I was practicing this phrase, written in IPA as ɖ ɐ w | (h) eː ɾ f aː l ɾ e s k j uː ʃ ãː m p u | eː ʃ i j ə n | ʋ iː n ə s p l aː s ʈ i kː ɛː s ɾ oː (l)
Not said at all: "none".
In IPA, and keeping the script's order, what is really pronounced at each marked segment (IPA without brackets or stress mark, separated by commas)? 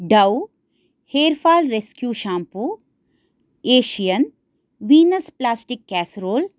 h, l